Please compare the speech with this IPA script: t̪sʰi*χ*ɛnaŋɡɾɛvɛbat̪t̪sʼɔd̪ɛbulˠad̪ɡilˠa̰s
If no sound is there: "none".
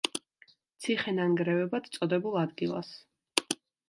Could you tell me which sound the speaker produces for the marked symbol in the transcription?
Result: χ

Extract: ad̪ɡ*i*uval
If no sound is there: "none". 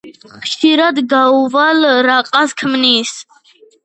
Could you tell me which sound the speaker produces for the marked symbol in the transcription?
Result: a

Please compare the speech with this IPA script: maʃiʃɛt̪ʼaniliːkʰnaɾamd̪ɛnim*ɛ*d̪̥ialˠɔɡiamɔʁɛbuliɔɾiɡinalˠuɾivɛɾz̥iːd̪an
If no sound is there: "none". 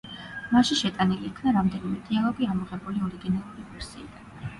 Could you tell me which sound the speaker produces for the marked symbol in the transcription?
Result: ɛ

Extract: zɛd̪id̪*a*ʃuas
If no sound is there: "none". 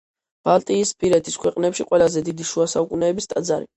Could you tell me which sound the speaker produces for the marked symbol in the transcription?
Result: i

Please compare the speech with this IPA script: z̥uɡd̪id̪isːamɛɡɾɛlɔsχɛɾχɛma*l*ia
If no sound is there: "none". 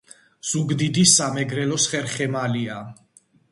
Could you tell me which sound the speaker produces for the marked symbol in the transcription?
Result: l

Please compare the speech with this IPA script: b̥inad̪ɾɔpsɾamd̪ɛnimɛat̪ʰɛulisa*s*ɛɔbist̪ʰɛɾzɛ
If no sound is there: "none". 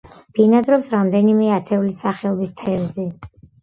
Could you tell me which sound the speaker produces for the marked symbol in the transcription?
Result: χ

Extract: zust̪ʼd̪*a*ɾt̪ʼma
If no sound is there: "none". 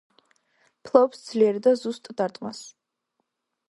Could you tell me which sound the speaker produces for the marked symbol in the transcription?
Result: a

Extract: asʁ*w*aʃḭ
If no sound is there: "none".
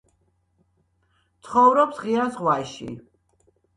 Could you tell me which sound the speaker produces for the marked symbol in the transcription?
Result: w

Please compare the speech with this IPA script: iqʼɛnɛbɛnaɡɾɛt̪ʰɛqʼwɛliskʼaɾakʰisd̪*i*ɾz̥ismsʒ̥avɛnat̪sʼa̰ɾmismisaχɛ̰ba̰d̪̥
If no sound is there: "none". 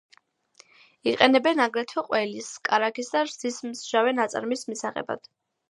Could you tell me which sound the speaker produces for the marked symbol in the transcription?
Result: a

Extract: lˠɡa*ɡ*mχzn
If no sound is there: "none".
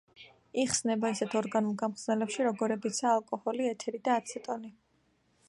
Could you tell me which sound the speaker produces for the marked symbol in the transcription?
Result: none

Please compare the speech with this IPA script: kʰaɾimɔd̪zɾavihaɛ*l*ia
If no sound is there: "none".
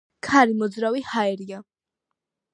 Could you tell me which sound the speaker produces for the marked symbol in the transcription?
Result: ɾ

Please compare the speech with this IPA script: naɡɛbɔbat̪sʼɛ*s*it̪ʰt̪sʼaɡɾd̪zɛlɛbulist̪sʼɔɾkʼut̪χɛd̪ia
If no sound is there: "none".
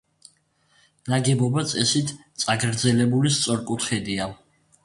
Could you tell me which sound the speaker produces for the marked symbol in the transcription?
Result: s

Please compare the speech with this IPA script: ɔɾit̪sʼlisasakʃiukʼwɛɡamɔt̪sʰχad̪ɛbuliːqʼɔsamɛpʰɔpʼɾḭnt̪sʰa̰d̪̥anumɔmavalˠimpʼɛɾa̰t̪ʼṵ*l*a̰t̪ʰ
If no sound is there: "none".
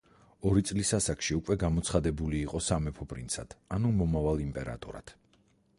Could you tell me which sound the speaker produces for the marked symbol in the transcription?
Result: ɾ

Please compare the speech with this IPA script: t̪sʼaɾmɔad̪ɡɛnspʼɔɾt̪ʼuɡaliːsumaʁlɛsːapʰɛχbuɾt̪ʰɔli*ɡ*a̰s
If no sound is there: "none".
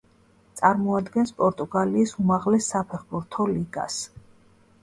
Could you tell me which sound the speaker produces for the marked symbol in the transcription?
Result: ɡ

